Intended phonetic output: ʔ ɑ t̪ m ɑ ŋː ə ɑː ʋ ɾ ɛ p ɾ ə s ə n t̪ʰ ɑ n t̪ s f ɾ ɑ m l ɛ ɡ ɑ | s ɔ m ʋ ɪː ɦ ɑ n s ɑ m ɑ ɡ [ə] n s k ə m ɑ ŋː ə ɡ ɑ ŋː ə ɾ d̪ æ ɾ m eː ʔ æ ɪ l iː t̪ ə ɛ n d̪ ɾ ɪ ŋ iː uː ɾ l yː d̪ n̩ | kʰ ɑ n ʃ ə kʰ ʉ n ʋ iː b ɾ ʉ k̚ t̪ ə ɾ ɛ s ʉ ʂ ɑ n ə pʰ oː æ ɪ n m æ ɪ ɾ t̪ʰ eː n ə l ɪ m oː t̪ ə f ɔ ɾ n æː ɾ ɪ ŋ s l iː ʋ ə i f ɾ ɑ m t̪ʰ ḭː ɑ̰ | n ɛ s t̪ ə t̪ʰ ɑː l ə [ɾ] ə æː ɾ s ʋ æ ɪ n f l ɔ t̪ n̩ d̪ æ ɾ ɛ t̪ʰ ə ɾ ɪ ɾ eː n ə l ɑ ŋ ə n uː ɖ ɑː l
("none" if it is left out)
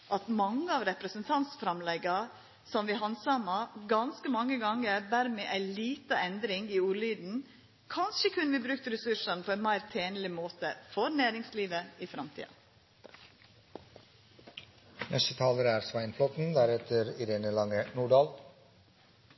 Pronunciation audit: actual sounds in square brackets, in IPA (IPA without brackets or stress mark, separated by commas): ɑ, ɾ